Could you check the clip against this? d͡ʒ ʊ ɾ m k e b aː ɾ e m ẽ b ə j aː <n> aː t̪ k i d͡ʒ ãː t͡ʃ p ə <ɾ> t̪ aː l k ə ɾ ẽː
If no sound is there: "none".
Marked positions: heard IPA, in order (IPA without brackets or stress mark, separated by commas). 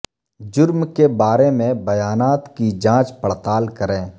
n, ɽ